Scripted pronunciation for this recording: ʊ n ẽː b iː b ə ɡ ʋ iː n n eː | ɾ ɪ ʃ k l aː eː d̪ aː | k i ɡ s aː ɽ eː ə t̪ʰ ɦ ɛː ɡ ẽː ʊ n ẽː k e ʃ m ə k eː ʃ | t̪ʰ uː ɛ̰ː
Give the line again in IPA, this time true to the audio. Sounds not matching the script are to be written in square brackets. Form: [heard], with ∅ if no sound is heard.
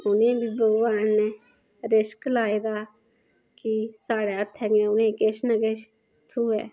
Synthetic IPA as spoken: ʊ n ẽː b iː b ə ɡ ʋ [aː] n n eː | ɾ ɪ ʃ k l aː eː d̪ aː | k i [∅] s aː ɽ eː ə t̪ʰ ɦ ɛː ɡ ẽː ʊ n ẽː k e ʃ [n] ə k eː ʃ | t̪ʰ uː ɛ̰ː